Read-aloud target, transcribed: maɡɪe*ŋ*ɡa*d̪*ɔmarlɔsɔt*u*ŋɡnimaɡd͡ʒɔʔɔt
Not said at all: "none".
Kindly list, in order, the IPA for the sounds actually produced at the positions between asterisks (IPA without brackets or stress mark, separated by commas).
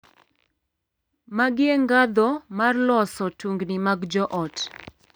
ŋ, d̪, u